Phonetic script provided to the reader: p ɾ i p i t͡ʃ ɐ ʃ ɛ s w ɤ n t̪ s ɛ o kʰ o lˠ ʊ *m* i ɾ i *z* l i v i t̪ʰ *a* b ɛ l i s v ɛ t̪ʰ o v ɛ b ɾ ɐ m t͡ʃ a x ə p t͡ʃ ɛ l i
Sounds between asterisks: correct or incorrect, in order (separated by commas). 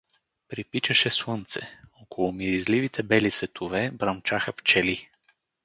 correct, correct, incorrect